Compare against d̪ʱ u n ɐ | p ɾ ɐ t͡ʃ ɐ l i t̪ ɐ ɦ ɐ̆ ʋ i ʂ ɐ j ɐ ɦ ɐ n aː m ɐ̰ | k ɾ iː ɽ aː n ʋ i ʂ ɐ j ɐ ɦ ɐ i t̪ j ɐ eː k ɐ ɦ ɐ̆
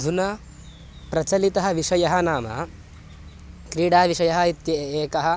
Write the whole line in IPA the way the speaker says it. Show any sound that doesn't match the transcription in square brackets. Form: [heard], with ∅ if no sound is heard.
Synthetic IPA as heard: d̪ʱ u n ɐ | p ɾ ɐ t͡ʃ ɐ l i t̪ ɐ ɦ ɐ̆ ʋ i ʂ ɐ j ɐ ɦ ɐ n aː m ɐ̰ | k ɾ iː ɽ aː [∅] ʋ i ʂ ɐ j ɐ ɦ ɐ i t̪ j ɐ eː k ɐ ɦ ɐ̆